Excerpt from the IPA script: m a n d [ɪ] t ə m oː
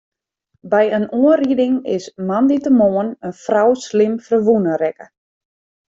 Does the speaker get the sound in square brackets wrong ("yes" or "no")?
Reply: yes